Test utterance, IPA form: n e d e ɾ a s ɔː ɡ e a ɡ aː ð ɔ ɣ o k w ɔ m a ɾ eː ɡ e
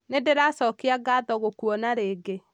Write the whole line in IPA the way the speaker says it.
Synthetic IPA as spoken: n e d e ɾ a s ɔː k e a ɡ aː ð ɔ ɣ o k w ɔ n a ɾ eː ɡ e